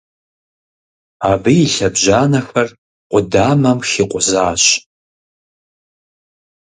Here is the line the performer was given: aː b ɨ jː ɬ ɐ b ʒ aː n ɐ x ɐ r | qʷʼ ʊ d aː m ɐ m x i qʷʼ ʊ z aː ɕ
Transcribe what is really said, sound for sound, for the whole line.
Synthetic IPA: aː b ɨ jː ɬ ɐ b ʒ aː n ɐ x ɐ r | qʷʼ ʊ d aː m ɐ m x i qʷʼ ʊ z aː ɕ